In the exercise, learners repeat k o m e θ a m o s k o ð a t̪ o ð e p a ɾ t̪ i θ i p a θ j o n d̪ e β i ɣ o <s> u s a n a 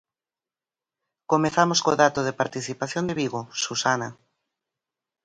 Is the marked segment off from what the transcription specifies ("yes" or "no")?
no